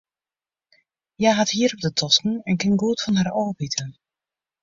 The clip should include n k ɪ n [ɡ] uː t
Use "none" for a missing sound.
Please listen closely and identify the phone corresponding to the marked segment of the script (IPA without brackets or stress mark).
ɡ